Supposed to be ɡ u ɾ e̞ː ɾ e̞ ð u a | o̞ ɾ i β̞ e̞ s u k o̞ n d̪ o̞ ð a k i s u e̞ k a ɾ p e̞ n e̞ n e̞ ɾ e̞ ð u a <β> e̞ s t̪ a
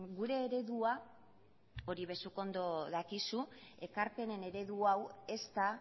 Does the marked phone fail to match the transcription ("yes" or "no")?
yes